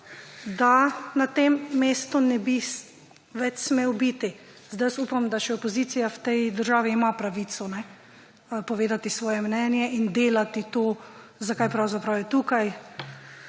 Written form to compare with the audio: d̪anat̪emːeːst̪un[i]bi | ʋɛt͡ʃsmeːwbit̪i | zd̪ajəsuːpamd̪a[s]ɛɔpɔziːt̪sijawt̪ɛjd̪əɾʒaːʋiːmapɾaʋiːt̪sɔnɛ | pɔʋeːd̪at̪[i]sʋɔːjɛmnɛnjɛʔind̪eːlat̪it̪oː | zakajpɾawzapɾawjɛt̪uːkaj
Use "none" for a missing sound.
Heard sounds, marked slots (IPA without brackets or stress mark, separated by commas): ɛ, ʃ, i